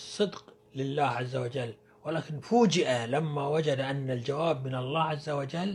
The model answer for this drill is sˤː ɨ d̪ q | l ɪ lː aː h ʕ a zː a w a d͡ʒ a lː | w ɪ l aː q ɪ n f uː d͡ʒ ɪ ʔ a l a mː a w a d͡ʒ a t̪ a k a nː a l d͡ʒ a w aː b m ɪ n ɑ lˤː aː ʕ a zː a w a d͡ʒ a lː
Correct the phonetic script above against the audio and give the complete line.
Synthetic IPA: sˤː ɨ d̪ q | l ɪ lː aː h ʕ a zː a w a d͡ʒ a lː | w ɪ l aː k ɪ n f uː d͡ʒ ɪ ʔ a l a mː a w a d͡ʒ a d̪ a ʔ a nː a l d͡ʒ a w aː b m ɪ n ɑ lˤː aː ʕ a zː a w a d͡ʒ a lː